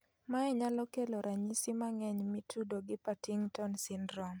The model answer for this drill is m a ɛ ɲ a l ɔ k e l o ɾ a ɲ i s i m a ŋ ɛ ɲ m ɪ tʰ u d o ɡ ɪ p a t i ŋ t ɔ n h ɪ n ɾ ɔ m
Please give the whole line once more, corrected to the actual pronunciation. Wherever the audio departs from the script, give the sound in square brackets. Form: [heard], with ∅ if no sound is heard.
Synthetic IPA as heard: m a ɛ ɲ a l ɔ k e l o ɾ a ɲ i s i m a ŋ ɛ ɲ m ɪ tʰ u d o ɡ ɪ p a t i ŋ t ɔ n [s] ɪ n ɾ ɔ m